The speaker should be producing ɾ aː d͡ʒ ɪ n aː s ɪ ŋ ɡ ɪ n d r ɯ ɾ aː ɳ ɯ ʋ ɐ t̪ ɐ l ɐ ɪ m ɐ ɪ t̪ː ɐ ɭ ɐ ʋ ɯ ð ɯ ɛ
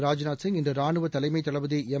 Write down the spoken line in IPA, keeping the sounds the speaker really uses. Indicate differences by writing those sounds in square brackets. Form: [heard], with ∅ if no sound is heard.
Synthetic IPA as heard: ɾ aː d͡ʒ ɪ n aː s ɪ ŋ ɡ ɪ n d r ɯ ɾ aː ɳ ɯ ʋ ɐ t̪ ɐ l ɐ ɪ m ɐ ɪ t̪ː ɐ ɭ ɐ ʋ ɯ ð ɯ ɛ